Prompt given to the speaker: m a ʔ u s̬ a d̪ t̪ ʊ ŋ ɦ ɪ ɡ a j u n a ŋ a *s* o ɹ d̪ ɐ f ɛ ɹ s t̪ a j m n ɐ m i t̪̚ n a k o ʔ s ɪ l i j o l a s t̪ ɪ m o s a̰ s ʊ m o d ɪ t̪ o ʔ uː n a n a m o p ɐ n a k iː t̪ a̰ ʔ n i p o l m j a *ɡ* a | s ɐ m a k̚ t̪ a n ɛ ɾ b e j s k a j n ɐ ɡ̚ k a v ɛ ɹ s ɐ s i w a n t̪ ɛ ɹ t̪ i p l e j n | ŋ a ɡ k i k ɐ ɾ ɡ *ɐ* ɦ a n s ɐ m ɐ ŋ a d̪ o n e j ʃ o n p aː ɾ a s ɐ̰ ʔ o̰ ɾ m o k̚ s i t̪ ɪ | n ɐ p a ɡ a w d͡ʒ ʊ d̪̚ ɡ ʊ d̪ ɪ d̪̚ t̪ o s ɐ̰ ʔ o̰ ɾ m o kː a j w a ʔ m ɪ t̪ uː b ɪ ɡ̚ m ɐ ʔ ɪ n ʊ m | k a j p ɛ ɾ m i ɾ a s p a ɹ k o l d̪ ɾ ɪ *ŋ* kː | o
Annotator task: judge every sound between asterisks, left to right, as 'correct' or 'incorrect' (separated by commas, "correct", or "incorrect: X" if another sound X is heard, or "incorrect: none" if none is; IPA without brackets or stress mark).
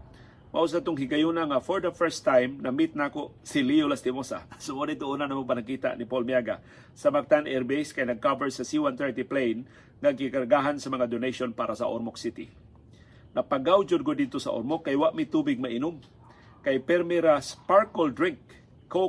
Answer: incorrect: f, correct, incorrect: a, correct